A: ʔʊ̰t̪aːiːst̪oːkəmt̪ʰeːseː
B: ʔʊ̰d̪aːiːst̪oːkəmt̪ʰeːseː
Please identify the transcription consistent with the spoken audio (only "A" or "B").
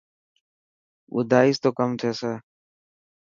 B